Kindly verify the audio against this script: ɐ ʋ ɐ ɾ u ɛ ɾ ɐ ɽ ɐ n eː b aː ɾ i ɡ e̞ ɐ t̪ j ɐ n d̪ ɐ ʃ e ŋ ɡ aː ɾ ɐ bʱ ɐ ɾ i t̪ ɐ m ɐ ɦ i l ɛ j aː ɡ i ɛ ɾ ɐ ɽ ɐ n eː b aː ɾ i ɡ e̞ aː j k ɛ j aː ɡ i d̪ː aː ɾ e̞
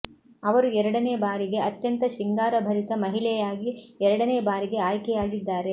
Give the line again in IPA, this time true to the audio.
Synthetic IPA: ɐ ʋ ɐ ɾ u ɛ ɾ ɐ ɽ ɐ n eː b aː ɾ i ɡ e̞ ɐ t̪ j ɐ n t̪ ɐ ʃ i ŋ ɡ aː ɾ ɐ bʱ ɐ ɾ i t̪ ɐ m ɐ ɦ i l ɛ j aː ɡ i ɛ ɾ ɐ ɽ ɐ n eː b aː ɾ i ɡ e̞ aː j k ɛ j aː ɡ i d̪ː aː ɾ e̞